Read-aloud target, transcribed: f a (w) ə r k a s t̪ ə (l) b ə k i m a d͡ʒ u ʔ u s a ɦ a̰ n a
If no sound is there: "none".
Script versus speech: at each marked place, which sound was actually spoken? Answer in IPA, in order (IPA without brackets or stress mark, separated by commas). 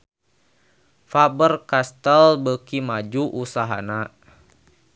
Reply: b, l